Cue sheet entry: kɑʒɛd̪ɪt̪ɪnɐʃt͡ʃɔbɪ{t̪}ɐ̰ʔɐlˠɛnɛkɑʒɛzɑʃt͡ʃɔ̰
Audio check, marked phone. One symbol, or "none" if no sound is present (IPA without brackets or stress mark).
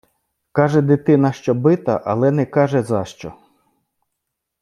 t̪